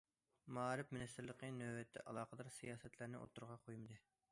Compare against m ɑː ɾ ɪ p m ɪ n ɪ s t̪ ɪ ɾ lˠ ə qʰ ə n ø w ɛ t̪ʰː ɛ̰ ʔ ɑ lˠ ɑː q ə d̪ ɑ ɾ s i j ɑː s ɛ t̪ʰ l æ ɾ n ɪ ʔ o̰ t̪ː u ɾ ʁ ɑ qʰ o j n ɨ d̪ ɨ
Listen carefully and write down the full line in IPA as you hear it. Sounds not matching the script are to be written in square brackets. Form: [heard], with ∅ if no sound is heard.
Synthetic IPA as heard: m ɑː ɾ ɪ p m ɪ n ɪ s t̪ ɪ ɾ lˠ ə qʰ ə n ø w ɛ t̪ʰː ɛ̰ ʔ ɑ lˠ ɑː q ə d̪ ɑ ɾ s i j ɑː s ɛ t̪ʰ l æ ɾ n ɪ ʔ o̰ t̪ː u ɾ ʁ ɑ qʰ o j [m] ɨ d̪ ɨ